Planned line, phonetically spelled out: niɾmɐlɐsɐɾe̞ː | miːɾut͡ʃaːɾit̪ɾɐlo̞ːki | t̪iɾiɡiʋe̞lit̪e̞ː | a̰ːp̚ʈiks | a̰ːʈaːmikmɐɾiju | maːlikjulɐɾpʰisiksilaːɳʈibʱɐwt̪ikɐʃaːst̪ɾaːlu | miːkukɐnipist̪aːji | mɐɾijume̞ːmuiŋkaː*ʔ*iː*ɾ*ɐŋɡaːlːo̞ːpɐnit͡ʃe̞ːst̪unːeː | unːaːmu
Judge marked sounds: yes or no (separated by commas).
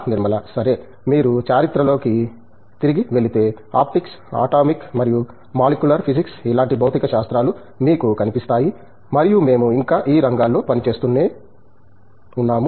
yes, yes